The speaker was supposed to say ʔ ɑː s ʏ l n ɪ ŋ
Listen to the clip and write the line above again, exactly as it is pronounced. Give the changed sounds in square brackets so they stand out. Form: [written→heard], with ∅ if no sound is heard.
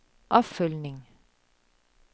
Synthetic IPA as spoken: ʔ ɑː [s→f] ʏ l n ɪ ŋ

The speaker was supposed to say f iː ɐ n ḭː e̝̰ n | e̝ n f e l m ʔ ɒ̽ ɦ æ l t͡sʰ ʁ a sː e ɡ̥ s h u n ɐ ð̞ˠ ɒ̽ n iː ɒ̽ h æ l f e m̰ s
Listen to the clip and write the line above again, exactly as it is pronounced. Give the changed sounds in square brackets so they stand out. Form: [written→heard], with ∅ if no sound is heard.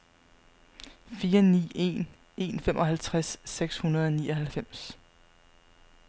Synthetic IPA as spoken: f iː ɐ n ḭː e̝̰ n | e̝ n f e [l→∅] m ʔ ɒ̽ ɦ æ l t͡sʰ ʁ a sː e ɡ̥ s h u n ɐ ð̞ˠ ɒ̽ n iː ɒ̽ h æ l f e m̰ s

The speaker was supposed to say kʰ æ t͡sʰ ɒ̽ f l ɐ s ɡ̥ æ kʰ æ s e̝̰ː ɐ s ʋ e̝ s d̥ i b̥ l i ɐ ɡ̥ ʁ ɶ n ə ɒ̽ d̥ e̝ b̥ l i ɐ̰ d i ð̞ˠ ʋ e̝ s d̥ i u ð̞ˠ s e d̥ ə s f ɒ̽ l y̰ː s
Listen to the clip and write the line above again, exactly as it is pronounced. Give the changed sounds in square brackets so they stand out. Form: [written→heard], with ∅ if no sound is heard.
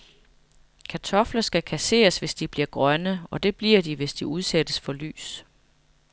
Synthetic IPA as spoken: kʰ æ t͡sʰ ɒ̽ f l ɐ s ɡ̥ æ kʰ æ s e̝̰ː ɐ s ʋ e̝ s d̥ i b̥ l i ɐ ɡ̥ ʁ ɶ n ə ɒ̽ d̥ e̝ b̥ l i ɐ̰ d i [ð̞ˠ→∅] ʋ e̝ s d̥ i u ð̞ˠ s e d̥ ə s f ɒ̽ l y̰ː s

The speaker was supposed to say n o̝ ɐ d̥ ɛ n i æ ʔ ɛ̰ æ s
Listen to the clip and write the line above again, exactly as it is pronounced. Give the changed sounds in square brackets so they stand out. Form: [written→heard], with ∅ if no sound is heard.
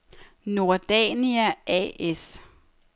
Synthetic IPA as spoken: n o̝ ɐ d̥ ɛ n i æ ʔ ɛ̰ [æ→e] s

